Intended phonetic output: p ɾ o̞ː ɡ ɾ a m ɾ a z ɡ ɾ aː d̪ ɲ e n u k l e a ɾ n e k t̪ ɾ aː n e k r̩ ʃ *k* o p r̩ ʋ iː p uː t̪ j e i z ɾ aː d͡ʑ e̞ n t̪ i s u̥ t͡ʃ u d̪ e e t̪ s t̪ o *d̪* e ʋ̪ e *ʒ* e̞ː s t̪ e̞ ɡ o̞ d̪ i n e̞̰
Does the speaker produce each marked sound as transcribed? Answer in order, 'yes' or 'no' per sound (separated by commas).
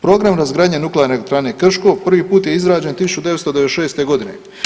yes, yes, no